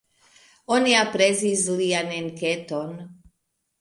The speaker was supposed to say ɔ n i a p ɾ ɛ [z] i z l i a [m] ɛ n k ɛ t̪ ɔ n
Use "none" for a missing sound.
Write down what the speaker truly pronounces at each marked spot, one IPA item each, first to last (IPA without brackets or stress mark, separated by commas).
z, n